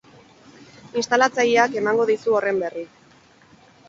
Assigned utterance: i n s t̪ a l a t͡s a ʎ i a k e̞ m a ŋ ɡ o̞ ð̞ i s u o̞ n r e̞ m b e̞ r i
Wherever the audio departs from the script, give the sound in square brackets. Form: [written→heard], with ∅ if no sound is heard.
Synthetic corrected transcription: i n s t̪ a l a t͡s a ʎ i a k e̞ m a ŋ ɡ o̞ ð̞ i s u o̞ [n→∅] r e̞ m b e̞ r i